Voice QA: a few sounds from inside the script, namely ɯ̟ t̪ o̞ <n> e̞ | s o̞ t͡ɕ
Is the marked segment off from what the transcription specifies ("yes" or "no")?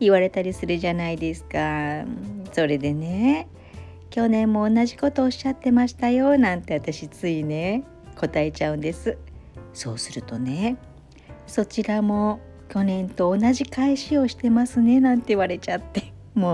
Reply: no